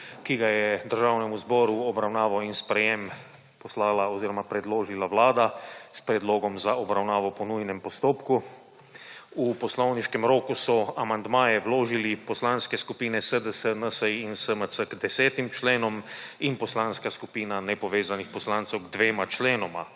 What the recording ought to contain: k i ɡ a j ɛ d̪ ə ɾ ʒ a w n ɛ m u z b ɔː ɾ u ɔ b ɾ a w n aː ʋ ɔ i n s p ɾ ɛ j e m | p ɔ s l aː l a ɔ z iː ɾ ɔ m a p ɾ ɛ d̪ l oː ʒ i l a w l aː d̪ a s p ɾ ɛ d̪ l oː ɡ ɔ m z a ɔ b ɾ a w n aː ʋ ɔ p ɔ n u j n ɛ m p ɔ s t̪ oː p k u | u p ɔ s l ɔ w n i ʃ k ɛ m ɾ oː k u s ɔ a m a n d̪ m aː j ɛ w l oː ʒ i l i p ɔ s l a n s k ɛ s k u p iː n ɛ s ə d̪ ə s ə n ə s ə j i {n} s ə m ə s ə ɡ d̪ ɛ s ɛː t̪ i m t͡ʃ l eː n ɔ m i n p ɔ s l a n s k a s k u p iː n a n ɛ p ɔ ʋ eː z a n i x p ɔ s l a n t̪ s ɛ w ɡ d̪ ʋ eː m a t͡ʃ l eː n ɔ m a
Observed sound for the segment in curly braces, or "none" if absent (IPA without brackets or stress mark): n